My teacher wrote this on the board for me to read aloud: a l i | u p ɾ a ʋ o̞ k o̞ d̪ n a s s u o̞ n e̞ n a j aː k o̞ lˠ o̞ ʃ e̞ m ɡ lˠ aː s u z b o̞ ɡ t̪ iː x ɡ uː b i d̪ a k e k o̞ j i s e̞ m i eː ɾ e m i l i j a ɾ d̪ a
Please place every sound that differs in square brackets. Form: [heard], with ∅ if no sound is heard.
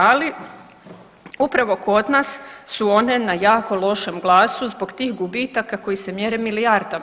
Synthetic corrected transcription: a l i | u p ɾ a ʋ o̞ k o̞ d̪ n a s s u o̞ n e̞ n a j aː k o̞ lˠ o̞ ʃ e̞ m ɡ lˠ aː s u z b o̞ ɡ t̪ iː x ɡ [u] b i [t̪] a k [a] k o̞ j i s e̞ m [j] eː ɾ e m i l i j a ɾ d̪ a